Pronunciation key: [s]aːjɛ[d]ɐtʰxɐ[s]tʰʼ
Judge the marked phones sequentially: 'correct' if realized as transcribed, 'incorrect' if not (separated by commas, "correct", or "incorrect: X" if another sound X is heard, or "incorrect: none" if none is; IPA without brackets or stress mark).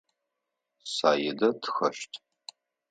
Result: correct, correct, incorrect: ʃ